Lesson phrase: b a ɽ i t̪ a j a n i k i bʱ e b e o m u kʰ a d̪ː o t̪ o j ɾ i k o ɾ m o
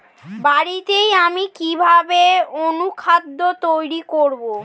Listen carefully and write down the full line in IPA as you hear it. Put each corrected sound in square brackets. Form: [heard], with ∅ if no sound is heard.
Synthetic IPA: b a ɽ i t̪ [e] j a [m] i k i bʱ [a] b e o [n] u kʰ a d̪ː o t̪ o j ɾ i k o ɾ [b] o